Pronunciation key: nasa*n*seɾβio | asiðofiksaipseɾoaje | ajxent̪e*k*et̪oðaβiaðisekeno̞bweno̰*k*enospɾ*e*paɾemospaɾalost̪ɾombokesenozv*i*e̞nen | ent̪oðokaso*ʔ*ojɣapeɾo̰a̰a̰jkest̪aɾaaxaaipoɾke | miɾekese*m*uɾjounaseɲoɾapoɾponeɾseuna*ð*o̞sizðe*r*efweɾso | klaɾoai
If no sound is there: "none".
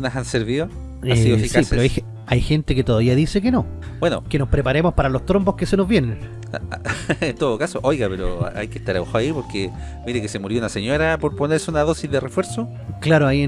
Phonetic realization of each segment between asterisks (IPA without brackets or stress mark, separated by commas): n, k, k, e, j, ʔ, m, ð, r